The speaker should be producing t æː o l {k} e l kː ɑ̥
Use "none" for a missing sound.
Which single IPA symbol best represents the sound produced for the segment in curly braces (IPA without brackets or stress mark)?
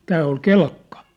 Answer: k